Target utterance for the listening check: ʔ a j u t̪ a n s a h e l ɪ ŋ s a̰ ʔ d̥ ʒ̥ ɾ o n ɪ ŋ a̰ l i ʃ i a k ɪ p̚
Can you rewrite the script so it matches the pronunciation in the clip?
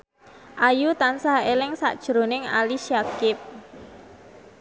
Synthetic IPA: ʔ a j u t̪ a n s a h e l ɪ ŋ s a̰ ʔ d̥ ʒ̥ ɾ o n ɪ ŋ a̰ l i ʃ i a k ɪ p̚